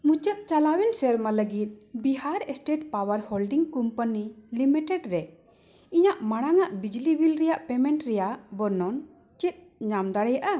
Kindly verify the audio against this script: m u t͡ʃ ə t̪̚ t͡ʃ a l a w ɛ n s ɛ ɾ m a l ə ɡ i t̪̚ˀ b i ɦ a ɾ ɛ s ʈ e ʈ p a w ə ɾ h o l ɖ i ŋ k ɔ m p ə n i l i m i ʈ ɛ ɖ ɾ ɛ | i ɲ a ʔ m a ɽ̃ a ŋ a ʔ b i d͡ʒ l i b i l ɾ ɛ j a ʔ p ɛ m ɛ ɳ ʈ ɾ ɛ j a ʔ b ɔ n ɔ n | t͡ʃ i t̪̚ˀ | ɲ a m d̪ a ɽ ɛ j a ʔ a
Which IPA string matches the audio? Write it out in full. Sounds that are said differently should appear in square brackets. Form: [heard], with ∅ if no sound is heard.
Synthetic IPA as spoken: m u t͡ʃ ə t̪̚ t͡ʃ a l a w ɛ n s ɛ ɾ m a l ə ɡ i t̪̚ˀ b i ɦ a ɾ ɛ s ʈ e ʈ p a w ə ɾ h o l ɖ i ŋ k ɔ m p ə n i l i m i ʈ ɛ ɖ ɾ ɛ | i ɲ a ʔ m a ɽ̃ a ŋ a ʔ b i d͡ʒ l i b i l ɾ ɛ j a ʔ p ɛ m ɛ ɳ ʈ ɾ ɛ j a ʔ b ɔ n ɔ n | t͡ʃ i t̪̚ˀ | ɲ a m d̪ a ɽ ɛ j a ʔ a